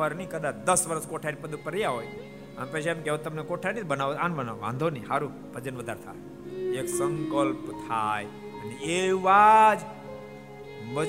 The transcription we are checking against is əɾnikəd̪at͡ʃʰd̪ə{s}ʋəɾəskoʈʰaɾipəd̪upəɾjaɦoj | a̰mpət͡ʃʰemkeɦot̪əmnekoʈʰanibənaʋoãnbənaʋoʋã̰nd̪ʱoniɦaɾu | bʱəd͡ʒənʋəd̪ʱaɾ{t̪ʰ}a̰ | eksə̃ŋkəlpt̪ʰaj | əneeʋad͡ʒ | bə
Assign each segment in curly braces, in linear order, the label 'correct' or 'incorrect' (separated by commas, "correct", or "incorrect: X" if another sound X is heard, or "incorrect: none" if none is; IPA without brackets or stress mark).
correct, correct